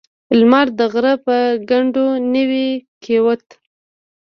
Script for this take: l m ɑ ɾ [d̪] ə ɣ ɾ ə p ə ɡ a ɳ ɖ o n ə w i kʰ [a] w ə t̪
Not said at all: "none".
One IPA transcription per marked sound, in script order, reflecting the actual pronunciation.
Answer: d̪, e

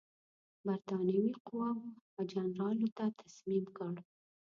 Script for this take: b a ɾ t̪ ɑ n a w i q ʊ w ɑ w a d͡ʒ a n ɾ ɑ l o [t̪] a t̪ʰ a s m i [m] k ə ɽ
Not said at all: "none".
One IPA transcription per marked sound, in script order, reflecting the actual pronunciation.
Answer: t̪, m

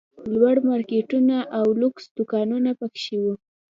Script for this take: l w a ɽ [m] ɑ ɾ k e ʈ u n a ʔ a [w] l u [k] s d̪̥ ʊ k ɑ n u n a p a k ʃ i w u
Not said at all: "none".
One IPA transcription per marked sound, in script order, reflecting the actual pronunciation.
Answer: m, w, k

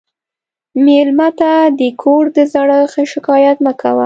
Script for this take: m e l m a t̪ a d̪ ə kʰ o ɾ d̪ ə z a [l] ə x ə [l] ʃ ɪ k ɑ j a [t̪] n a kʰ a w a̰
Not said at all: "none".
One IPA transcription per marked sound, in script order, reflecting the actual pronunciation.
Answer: ɽ, none, t̪

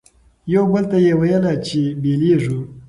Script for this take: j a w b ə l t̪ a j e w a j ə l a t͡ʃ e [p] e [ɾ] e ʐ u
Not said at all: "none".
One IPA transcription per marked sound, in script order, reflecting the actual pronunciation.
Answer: b, l

